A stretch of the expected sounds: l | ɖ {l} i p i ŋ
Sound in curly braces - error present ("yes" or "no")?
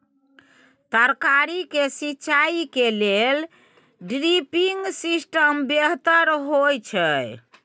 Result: yes